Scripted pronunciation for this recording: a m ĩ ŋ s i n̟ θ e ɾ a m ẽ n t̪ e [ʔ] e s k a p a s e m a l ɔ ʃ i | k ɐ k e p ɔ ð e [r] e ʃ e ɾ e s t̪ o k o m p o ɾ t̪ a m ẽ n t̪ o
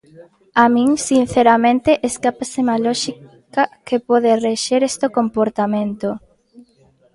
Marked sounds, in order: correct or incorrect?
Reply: correct, correct

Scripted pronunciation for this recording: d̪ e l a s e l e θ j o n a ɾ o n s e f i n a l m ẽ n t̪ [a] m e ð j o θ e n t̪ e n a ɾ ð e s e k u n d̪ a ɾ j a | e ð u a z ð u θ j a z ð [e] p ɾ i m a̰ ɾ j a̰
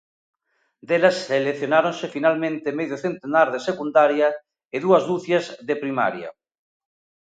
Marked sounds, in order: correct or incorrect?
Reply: incorrect, correct

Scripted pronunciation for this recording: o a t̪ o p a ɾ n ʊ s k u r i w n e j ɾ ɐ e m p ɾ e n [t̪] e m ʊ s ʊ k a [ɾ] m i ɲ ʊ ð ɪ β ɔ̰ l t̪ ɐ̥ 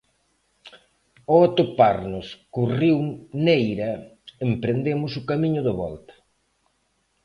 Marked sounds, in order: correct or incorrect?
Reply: incorrect, incorrect

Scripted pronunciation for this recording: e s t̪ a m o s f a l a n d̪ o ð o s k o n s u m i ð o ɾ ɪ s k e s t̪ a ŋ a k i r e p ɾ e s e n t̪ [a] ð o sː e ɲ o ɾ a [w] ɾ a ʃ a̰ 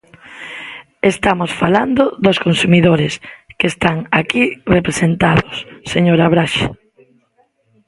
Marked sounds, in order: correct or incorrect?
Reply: correct, incorrect

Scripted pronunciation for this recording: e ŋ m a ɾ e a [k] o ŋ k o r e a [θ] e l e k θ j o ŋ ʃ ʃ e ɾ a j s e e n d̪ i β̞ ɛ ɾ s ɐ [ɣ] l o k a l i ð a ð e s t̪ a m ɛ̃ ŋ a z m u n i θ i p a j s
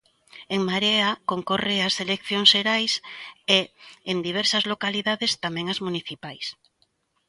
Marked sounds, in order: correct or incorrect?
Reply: correct, incorrect, incorrect

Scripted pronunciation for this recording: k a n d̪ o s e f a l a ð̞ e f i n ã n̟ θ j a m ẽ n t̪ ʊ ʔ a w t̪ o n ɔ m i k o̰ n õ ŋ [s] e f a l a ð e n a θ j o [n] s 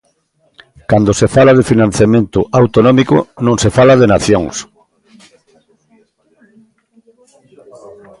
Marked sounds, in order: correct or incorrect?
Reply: correct, incorrect

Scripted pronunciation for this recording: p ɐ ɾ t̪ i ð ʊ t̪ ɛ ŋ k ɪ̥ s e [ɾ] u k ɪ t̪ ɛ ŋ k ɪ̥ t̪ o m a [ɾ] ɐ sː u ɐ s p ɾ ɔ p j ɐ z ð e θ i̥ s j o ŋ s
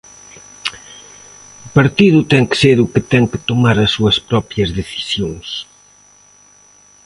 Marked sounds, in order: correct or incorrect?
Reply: correct, correct

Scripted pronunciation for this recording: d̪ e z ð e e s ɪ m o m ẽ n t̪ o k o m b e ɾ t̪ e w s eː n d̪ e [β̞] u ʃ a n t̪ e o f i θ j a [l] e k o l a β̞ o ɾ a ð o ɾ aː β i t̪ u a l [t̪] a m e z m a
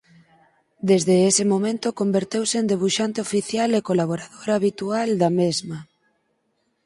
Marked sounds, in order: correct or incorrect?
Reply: correct, correct, incorrect

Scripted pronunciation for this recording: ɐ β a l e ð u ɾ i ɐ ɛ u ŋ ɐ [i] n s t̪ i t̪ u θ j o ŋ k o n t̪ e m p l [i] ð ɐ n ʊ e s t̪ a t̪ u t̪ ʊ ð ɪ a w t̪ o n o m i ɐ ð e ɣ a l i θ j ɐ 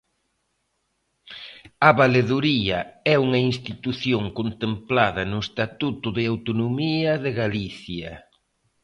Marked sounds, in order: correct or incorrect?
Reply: correct, incorrect

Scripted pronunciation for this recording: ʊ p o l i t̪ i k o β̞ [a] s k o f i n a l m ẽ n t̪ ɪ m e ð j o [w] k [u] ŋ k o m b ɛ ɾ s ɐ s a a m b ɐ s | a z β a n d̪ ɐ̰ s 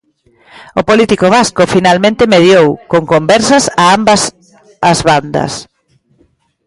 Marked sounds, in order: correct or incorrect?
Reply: correct, correct, incorrect

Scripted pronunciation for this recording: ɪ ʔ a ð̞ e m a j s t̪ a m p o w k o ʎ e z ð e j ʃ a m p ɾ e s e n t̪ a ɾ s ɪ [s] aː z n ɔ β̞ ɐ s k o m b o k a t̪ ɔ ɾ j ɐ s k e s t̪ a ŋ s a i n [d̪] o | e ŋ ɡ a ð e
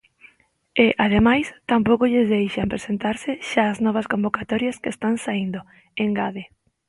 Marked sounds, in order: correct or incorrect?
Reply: incorrect, correct

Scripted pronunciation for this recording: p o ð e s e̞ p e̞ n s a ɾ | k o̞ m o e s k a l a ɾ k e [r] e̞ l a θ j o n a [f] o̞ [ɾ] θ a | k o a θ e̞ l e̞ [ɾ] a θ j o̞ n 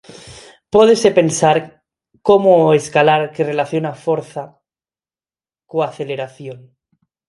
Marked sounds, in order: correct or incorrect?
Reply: correct, correct, correct, correct

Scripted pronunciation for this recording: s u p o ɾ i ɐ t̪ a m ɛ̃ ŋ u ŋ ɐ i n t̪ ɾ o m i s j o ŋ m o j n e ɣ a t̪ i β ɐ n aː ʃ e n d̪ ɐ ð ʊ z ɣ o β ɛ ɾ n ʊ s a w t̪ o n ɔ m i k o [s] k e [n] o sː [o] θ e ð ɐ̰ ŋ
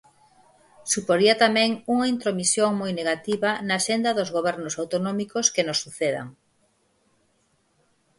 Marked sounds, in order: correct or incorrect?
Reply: correct, correct, incorrect

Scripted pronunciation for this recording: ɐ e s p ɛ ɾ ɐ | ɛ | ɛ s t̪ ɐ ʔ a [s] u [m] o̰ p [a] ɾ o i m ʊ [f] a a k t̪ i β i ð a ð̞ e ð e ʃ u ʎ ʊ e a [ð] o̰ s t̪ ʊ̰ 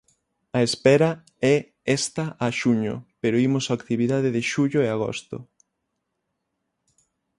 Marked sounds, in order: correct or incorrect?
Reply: incorrect, incorrect, incorrect, incorrect, incorrect

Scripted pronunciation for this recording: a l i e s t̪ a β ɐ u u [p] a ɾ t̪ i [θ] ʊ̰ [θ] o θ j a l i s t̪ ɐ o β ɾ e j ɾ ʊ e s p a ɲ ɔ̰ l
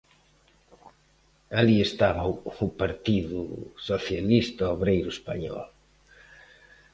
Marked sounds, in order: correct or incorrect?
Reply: correct, incorrect, incorrect

